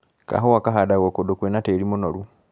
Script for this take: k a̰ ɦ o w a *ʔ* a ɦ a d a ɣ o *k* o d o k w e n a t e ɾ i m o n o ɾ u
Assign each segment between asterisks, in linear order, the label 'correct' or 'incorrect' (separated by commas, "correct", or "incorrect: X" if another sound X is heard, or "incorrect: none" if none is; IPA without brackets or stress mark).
incorrect: k, correct